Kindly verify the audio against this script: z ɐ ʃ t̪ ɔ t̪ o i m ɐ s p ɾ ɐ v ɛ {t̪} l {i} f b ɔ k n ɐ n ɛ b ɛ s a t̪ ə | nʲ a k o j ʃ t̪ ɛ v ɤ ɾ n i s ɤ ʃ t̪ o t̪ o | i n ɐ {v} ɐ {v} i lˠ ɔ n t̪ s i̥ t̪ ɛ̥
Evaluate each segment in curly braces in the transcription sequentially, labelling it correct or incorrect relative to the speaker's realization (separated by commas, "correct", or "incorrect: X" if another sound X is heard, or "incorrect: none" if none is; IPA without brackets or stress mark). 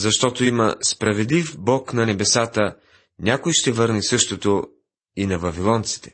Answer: incorrect: d̪, correct, correct, correct